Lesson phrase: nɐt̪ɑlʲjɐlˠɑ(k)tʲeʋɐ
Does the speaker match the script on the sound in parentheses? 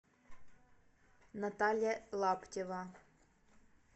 no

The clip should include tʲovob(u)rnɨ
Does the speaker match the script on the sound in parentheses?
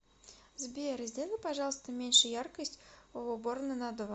no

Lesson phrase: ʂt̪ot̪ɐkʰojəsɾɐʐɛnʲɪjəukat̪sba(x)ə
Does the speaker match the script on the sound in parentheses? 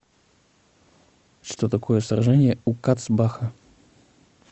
yes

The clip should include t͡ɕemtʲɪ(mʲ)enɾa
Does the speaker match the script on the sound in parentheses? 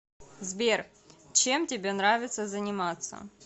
no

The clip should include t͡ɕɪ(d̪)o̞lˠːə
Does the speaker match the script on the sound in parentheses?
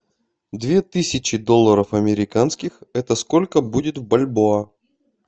yes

